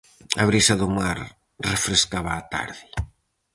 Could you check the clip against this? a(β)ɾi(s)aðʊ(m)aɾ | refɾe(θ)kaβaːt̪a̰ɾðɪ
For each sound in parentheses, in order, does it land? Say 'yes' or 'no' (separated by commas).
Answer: yes, yes, yes, no